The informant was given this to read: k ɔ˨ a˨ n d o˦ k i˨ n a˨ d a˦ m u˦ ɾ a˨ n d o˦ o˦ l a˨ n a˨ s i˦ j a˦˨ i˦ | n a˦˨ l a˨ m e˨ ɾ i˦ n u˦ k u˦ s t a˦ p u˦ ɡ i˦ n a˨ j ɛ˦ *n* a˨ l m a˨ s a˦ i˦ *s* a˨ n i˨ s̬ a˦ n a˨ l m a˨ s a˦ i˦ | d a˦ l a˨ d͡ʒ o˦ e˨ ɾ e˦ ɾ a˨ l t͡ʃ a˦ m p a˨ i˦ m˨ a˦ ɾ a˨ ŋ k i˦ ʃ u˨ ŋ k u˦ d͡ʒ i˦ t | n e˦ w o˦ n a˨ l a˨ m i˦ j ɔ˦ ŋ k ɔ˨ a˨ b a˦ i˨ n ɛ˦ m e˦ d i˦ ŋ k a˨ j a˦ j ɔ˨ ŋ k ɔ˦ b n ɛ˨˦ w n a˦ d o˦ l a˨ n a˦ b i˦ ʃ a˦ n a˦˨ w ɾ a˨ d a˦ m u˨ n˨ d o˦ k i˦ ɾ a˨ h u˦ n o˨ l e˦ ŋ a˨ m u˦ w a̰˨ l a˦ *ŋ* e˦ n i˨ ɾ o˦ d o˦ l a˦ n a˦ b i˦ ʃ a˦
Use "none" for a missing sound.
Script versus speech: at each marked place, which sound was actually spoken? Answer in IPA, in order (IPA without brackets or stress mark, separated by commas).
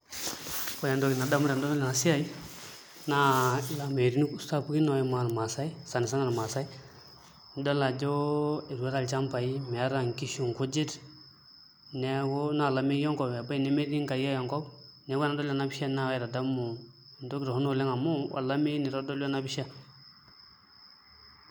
m, s, m